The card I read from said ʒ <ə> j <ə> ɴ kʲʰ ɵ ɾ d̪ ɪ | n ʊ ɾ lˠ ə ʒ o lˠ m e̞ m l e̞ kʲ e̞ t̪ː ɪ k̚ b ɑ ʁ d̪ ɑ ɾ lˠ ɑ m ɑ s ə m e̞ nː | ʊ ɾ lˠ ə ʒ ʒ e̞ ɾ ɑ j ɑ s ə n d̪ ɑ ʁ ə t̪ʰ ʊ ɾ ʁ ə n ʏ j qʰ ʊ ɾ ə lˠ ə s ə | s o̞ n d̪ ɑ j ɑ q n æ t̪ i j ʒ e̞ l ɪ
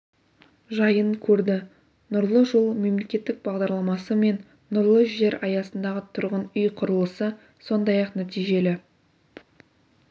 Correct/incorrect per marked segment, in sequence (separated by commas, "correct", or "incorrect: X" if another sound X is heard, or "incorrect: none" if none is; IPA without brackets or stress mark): incorrect: ɑ, correct